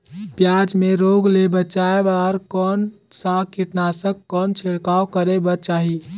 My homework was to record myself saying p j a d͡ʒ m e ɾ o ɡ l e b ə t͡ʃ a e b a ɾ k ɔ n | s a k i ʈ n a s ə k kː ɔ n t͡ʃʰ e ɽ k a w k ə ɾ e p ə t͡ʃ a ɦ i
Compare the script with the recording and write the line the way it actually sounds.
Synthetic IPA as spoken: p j a d͡ʒ m e ɾ o ɡ l e b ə t͡ʃ a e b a ɾ k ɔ n | s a k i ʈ n a s ə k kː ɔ n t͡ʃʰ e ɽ k a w k ə ɾ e b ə t͡ʃ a ɦ i